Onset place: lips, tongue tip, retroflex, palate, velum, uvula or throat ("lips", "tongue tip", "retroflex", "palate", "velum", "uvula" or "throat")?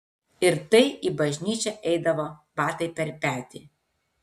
tongue tip